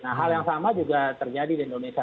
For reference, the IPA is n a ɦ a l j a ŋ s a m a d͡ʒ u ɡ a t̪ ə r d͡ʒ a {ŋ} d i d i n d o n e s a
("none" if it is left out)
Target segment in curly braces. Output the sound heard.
none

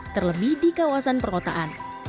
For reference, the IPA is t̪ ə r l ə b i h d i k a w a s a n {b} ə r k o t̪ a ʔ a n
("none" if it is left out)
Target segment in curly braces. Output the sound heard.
p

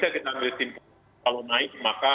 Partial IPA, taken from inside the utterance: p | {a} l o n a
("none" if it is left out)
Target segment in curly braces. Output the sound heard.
a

